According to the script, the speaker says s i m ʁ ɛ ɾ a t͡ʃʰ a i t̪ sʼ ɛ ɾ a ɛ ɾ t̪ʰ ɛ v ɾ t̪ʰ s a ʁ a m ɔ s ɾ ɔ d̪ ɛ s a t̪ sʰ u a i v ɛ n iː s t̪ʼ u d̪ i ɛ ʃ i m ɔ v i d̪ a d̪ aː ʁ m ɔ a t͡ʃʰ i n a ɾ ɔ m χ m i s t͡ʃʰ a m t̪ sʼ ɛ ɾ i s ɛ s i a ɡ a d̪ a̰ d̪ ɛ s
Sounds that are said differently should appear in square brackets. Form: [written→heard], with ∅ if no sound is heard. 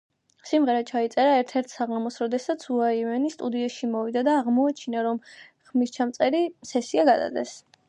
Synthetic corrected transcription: s i m ʁ ɛ ɾ a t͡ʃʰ a i t̪ sʼ ɛ ɾ a ɛ ɾ t̪ʰ ɛ [v→∅] ɾ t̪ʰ s a ʁ a m ɔ s ɾ ɔ d̪ ɛ s a t̪ sʰ u a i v ɛ n [iː→i] s t̪ʼ u d̪ i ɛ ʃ i m ɔ v i d̪ a d̪ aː ʁ m ɔ a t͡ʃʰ i n a ɾ ɔ m χ m i s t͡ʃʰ a m t̪ sʼ ɛ ɾ i s ɛ s i a ɡ a d̪ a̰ d̪ ɛ s